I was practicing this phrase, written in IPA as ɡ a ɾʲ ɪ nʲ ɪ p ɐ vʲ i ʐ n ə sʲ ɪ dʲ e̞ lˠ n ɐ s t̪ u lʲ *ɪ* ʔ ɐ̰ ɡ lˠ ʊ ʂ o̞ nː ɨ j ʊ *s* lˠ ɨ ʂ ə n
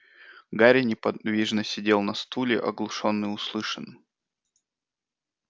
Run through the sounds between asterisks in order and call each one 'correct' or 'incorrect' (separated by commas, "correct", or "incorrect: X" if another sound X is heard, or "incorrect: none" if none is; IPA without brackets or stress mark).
correct, correct